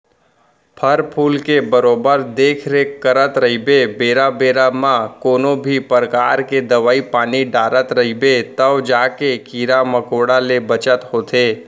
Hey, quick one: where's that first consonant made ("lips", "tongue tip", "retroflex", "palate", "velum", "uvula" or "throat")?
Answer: lips